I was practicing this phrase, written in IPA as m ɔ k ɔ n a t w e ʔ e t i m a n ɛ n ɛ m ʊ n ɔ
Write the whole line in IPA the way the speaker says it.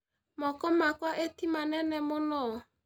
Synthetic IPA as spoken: m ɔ k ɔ m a k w a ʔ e t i m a n ɛ n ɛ m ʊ n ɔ